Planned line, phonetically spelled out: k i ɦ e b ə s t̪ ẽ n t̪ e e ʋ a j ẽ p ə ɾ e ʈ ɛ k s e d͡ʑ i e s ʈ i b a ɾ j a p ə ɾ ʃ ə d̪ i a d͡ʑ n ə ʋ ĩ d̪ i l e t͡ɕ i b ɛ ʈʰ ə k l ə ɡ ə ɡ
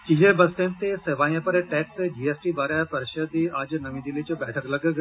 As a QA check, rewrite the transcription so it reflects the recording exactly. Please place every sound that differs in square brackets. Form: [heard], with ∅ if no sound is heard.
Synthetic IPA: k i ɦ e b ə s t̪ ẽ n t̪ e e ʋ a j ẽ p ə ɾ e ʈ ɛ k s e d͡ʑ i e s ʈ i b a ɾ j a p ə ɾ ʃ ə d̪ i a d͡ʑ n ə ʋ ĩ d̪ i l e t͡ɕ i b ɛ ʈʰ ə k l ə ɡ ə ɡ